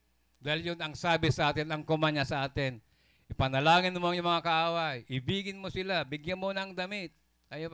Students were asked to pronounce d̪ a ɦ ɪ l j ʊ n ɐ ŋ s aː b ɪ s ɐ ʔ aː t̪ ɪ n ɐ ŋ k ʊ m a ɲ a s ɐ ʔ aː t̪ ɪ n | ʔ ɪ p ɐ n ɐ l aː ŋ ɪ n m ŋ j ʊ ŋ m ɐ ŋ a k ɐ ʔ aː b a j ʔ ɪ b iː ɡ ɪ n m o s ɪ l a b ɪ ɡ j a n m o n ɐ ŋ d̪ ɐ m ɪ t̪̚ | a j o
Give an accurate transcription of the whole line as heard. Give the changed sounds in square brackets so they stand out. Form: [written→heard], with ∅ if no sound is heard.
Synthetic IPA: d̪ a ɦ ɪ l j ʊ n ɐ ŋ s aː b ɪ s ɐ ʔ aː t̪ ɪ n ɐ ŋ k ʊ m a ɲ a s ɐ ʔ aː t̪ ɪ n | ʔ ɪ p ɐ n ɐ l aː ŋ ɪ n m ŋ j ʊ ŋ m ɐ ŋ a k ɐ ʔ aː [b→w] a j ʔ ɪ b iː ɡ ɪ n m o s ɪ l a b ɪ ɡ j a n m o n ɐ ŋ d̪ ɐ m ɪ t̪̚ | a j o